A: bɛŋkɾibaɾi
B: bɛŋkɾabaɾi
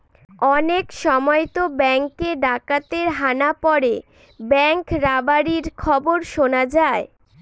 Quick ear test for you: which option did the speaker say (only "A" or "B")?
B